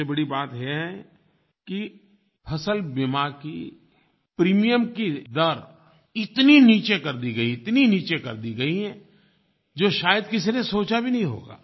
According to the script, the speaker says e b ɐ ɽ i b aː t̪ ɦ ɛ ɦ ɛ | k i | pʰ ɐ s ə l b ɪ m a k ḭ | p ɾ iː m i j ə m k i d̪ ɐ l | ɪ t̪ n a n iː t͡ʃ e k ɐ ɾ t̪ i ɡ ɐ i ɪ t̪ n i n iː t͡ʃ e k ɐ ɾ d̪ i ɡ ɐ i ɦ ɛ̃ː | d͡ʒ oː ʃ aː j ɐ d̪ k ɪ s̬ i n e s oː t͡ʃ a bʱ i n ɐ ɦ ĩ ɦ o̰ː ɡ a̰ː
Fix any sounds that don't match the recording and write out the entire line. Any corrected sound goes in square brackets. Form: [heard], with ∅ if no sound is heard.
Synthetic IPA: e b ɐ ɽ i b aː t̪ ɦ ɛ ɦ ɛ | k i | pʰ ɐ s ə l b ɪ m a k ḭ | p ɾ iː m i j ə m k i d̪ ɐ [ɾ] | ɪ t̪ n [i] n iː t͡ʃ e k ɐ ɾ [d̪] i ɡ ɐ i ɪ t̪ n i n iː t͡ʃ e k ɐ ɾ d̪ i ɡ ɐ i ɦ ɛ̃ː | d͡ʒ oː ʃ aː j [ə] d̪ k ɪ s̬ i n e s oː t͡ʃ a bʱ i n ɐ ɦ ĩ ɦ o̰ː ɡ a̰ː

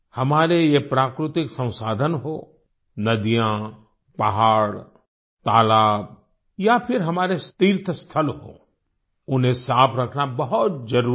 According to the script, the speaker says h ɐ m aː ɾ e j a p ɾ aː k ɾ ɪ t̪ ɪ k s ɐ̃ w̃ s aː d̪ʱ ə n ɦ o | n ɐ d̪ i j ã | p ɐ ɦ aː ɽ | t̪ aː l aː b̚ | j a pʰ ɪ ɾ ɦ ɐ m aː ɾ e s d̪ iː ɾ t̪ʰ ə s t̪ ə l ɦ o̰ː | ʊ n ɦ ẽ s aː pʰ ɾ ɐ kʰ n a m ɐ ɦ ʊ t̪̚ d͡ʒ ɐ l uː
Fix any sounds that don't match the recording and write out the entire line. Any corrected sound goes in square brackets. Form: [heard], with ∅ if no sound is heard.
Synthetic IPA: h ɐ m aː ɾ e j [e] p ɾ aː k ɾ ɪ t̪ ɪ k s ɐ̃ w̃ s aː d̪ʱ ə n ɦ o | n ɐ d̪ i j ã | p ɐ ɦ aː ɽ | t̪ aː l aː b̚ | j a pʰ ɪ ɾ ɦ ɐ m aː ɾ e s [t̪] iː ɾ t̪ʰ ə s [t̪ʰ] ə l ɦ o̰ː | ʊ n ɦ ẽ s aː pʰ ɾ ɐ kʰ n a [b] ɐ ɦ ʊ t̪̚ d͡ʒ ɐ [ɾ] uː

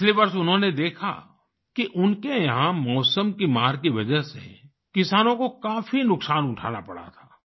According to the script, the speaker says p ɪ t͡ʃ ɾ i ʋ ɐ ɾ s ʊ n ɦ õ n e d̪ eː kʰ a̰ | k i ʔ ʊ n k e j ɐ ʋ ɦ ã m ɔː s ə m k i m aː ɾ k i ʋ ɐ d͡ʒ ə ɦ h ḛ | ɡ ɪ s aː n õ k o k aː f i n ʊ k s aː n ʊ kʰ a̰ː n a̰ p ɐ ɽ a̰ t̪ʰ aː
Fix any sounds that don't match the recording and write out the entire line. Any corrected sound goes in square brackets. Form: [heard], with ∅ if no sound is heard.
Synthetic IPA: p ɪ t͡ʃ [l] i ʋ ɐ ɾ s ʊ n ɦ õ n e d̪ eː kʰ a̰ | k i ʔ ʊ n k e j ɐ [∅] ɦ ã m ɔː s ə m k i m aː ɾ k i ʋ ɐ d͡ʒ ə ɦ [s] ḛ | [k] ɪ s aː n õ k o k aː f i n ʊ k s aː n ʊ [ʈʰ] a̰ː n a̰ p ɐ ɽ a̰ t̪ʰ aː

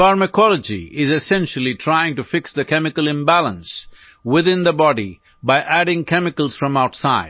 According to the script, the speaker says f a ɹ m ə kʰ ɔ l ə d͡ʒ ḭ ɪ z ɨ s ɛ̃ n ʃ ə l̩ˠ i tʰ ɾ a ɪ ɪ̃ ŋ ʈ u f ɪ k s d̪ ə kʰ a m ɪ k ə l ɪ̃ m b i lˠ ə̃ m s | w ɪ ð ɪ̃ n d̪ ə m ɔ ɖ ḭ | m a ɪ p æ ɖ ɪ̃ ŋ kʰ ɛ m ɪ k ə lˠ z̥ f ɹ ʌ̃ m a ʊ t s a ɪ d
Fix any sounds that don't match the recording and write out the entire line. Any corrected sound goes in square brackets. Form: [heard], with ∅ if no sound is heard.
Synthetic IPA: f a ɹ m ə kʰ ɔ l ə d͡ʒ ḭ ɪ z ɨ s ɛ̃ n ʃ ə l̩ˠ i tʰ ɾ a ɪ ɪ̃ ŋ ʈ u f ɪ k s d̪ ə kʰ [ɛ] m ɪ k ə l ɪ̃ m b [æ] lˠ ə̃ [n] s | w ɪ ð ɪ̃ n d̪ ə [b] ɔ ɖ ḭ | [b] a ɪ [ʔ] æ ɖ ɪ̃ ŋ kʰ ɛ m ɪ k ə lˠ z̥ f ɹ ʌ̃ m a ʊ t s a ɪ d

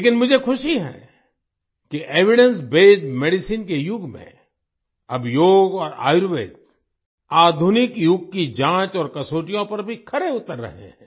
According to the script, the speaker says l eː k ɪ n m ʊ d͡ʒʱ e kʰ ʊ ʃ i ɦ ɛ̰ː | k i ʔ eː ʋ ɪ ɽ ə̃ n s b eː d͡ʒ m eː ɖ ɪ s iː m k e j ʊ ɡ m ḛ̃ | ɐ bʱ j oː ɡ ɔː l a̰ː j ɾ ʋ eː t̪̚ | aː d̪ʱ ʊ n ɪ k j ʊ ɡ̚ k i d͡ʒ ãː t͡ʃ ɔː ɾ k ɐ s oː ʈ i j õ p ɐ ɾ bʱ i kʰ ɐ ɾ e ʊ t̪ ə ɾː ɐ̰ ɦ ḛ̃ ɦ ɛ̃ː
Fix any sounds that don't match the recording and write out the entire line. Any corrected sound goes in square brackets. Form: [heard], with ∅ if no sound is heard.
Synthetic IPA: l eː k ɪ n m ʊ d͡ʒʱ e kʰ ʊ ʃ i ɦ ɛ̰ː | k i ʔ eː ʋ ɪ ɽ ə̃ n s b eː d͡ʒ m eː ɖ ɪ s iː [n] k e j ʊ ɡ m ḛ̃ | ɐ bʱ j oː ɡ ɔː [ɾ] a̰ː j ɾ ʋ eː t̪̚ | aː d̪ʱ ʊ n ɪ k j ʊ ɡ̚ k i d͡ʒ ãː t͡ʃ ɔː ɾ k ɐ s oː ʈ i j õ p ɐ ɾ bʱ i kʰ ɐ ɾ e ʊ t̪ ə ɾː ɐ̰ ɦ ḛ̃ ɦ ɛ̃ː

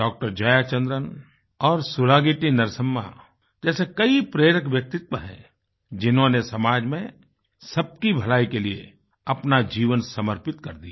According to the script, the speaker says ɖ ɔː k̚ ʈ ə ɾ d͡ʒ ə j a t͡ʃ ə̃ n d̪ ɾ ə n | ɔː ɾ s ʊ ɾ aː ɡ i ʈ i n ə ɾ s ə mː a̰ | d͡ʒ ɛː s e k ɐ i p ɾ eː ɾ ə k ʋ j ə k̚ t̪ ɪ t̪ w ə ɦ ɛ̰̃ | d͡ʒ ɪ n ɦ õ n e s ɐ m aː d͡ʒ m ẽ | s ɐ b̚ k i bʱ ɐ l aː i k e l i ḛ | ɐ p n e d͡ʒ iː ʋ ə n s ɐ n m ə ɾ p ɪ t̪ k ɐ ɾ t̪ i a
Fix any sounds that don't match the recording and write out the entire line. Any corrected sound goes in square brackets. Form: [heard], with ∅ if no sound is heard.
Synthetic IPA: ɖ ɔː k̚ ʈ ə ɾ d͡ʒ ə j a t͡ʃ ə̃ n d̪ ɾ ə n | ɔː ɾ s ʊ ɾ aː ɡ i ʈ i n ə ɾ s ə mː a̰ | d͡ʒ ɛː s e k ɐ i p ɾ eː ɾ ə k ʋ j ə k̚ t̪ ɪ t̪ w ə ɦ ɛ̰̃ | d͡ʒ ɪ n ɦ õ n e s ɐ m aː d͡ʒ m ẽ | s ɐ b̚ k i bʱ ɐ l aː i k e l i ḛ | ɐ p n [a] d͡ʒ iː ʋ ə n s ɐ [∅] m ə ɾ p ɪ t̪ k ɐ ɾ [d̪] i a

